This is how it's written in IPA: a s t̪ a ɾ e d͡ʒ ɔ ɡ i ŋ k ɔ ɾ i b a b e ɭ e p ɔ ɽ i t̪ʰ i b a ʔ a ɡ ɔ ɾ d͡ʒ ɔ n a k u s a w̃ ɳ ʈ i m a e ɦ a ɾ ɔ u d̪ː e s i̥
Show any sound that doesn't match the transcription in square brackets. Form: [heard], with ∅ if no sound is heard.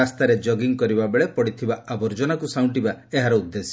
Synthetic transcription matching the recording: a s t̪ a ɾ e d͡ʒ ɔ ɡ i ŋ k ɔ ɾ i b a b e ɭ e p ɔ ɽ i t̪ʰ i b a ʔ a [b] ɔ ɾ d͡ʒ ɔ n a k u s a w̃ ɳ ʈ i [b] a e ɦ a ɾ ɔ u d̪ː e s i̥